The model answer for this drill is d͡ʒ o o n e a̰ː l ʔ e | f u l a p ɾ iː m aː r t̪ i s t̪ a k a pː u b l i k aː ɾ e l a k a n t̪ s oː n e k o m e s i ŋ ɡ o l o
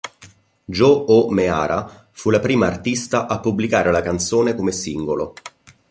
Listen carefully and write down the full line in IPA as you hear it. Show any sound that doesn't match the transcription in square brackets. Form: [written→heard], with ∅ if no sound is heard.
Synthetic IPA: d͡ʒ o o [n→m] e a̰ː [l→ɾ] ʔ [e→a] | f u l a p ɾ iː m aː r t̪ i s t̪ a [k→ʔ] a pː u b l i k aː ɾ e l a k a n t̪ s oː n e k o m e s i ŋ ɡ o l o